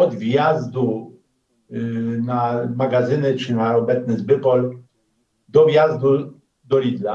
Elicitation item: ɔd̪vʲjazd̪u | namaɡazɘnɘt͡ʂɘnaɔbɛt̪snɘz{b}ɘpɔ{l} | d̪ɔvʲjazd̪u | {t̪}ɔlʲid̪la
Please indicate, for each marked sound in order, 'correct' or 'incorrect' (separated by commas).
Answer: correct, correct, incorrect